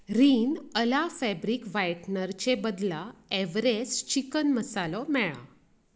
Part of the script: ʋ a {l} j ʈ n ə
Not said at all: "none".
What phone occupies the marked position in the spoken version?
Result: none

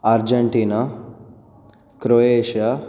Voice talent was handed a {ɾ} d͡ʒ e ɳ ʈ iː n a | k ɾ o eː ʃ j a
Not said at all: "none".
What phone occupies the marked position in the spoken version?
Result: ɾ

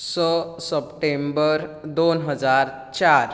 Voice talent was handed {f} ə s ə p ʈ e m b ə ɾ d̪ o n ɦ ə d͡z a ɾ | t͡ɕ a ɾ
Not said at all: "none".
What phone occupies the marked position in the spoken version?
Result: s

